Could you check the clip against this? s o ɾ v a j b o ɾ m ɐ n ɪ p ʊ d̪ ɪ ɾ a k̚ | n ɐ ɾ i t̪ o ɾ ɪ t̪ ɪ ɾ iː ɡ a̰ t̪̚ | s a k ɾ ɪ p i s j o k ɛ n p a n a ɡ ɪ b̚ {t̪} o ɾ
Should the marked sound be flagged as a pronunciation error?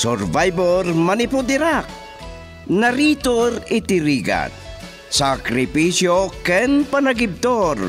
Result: no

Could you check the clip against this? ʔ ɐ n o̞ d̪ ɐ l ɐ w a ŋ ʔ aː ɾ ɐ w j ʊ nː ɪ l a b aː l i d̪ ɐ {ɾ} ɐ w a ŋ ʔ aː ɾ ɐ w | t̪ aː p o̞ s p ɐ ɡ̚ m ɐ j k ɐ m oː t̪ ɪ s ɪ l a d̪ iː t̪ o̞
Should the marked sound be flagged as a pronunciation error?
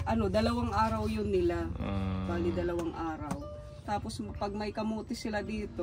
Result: yes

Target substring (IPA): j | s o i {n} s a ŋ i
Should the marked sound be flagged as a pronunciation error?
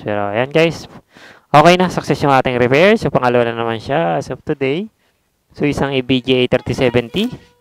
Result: yes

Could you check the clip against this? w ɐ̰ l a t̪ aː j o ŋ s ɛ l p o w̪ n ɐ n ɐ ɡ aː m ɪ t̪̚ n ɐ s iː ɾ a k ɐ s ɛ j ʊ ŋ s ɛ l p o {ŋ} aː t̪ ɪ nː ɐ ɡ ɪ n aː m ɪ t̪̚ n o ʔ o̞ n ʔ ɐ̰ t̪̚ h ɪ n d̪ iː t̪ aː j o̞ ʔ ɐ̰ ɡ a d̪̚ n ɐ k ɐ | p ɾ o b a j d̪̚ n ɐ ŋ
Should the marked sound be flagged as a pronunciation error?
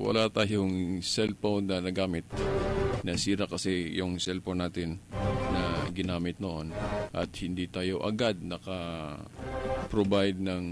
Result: yes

